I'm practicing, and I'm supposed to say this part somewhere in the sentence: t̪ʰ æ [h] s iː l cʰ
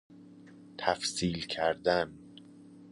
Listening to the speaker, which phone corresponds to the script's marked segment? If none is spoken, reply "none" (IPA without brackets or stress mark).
f